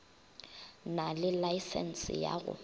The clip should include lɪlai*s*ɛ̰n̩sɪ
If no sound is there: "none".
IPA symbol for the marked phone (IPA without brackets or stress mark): s